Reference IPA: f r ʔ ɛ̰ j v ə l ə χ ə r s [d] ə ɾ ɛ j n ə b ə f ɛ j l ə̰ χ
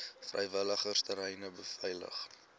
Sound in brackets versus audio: incorrect: t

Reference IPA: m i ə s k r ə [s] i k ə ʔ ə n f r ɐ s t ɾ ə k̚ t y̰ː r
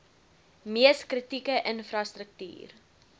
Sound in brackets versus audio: incorrect: t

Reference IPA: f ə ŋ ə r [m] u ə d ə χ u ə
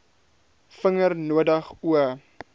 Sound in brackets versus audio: incorrect: n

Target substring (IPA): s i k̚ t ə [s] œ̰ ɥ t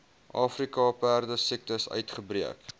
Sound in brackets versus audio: correct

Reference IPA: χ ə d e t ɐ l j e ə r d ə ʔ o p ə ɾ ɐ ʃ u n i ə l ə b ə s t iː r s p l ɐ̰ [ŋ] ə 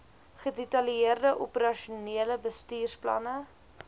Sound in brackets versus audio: incorrect: n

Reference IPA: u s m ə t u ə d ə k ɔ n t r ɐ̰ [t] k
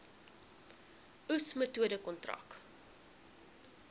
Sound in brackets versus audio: incorrect: none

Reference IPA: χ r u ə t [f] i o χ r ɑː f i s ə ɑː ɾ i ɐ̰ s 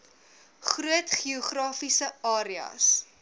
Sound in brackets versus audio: incorrect: χ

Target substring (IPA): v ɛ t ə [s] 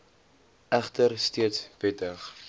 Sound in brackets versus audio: incorrect: χ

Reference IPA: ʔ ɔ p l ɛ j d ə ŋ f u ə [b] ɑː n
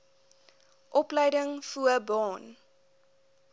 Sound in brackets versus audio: correct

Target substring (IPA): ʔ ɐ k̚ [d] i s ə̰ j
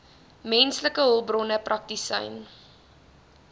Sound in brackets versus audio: incorrect: t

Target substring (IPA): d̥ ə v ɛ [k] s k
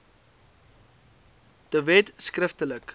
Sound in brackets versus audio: incorrect: t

